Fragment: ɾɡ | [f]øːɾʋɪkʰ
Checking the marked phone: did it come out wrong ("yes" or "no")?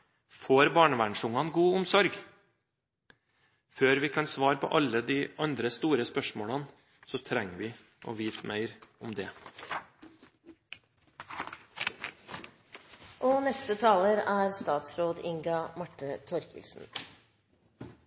no